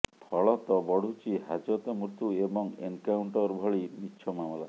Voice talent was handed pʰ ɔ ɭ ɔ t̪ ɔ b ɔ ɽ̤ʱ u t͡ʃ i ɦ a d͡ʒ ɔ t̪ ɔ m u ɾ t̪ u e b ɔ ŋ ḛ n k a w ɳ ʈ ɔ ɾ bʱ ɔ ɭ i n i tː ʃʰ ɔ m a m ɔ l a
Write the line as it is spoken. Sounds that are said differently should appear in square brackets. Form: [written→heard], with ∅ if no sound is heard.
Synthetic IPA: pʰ ɔ ɭ ɔ t̪ ɔ b ɔ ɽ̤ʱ u t͡ʃ i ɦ a d͡ʒ ɔ t̪ ɔ m u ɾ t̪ u e b ɔ ŋ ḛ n k a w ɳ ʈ ɔ ɾ bʱ ɔ ɭ i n i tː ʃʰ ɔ m a m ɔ l a